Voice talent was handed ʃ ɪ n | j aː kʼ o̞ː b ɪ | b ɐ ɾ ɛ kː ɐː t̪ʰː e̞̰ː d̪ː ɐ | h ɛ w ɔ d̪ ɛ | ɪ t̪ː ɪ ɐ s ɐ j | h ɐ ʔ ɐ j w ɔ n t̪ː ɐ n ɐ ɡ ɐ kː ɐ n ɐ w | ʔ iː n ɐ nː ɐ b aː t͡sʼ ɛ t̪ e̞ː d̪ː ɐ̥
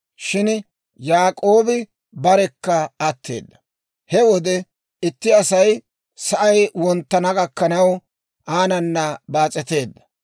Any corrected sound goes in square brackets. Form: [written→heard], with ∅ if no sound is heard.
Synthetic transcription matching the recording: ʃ ɪ n | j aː kʼ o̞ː b ɪ | b ɐ ɾ ɛ kː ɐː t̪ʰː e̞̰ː d̪ː ɐ | h ɛ w ɔ d̪ ɛ | ɪ t̪ː ɪ ɐ s ɐ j | [h→s] ɐ ʔ ɐ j w ɔ n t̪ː ɐ n ɐ ɡ ɐ kː ɐ n ɐ w | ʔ [iː→aː] n ɐ nː ɐ b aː t͡sʼ ɛ t̪ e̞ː d̪ː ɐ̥

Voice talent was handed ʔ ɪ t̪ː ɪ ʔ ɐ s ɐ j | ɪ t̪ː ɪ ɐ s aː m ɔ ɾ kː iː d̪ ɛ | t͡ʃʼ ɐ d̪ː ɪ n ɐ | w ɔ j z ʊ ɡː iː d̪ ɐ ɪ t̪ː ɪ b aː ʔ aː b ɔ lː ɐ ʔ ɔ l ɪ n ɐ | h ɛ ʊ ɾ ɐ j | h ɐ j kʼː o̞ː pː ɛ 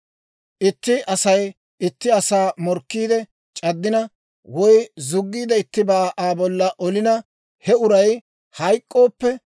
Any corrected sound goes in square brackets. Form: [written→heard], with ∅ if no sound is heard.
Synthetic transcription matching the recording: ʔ ɪ t̪ː ɪ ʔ ɐ s ɐ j | ɪ t̪ː ɪ ɐ s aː m ɔ ɾ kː iː d̪ ɛ | t͡ʃʼ ɐ d̪ː ɪ n ɐ | w ɔ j z ʊ ɡː iː d̪ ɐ ɪ t̪ː ɪ b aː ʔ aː b ɔ lː ɐ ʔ ɔ l ɪ n ɐ | h ɛ ʊ ɾ ɐ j | h ɐ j kʼː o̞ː pː ɛ

